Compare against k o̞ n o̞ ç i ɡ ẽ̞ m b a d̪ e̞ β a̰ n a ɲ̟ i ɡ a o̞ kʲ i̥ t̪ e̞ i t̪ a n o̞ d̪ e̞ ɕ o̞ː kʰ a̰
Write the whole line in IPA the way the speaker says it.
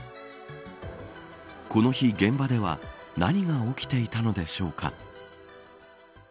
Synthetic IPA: k o̞ n o̞ ç i ɡ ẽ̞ m b a d̪ e̞ β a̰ n a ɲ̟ i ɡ a o̞ kʲ i̥ t̪ e̞ i t̪ a n o̞ d̪ e̞ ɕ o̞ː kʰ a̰